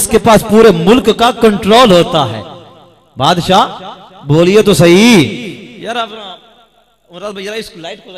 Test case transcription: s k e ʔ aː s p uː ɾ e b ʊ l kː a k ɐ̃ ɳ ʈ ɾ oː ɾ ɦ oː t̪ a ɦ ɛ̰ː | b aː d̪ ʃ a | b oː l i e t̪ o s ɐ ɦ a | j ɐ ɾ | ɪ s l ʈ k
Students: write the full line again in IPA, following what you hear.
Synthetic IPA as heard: s k e p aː s p uː ɾ e m ʊ l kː a k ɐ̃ ɳ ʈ ɾ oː l ɦ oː t̪ a ɦ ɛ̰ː | b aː d̪ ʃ a | b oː l i e t̪ o s ɐ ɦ i | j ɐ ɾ | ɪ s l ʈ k